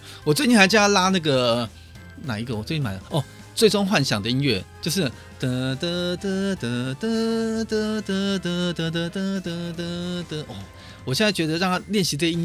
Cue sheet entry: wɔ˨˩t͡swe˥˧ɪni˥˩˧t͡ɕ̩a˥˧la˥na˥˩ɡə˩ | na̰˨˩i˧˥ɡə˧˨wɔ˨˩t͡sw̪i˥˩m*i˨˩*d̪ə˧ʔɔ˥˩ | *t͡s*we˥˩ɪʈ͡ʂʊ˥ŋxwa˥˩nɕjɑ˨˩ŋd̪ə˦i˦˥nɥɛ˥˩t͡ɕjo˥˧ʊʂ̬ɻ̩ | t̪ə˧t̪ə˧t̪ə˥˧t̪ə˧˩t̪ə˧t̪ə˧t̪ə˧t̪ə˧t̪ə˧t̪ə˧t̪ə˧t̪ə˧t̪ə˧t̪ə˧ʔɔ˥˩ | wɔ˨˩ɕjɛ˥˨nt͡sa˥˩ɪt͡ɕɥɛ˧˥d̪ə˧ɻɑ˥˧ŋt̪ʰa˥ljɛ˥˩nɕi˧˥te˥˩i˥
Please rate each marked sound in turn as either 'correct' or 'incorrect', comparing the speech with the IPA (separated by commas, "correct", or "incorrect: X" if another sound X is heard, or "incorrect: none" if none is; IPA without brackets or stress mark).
incorrect: a˨˩, correct